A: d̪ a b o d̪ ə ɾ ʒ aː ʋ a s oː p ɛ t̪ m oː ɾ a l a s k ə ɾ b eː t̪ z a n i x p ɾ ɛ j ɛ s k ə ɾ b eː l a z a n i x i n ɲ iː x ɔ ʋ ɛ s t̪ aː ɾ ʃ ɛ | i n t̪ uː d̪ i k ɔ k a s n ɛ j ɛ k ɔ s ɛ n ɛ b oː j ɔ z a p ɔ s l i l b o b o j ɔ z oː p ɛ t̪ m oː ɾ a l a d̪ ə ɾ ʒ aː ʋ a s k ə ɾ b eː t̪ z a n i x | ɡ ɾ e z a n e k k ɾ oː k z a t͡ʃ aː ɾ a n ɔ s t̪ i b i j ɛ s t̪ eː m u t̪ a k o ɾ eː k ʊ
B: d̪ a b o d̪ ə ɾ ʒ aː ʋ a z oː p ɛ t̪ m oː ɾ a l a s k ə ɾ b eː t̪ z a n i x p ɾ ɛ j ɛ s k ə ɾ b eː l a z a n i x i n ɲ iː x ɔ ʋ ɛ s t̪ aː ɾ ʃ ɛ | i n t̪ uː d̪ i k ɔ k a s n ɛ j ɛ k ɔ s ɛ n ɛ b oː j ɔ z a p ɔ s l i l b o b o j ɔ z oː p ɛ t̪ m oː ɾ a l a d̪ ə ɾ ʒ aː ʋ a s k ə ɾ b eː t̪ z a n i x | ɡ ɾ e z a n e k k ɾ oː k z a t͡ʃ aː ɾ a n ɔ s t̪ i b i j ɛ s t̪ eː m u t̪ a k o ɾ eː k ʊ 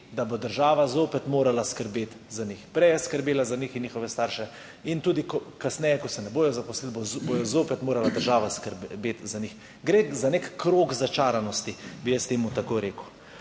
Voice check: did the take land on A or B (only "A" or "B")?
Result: B